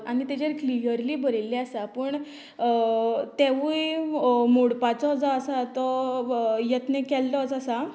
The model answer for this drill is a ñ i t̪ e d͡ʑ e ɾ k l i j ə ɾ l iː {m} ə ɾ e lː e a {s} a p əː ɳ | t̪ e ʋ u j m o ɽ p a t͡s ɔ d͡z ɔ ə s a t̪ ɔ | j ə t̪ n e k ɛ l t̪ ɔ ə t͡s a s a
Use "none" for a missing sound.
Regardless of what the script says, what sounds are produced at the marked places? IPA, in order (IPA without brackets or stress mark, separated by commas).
b, s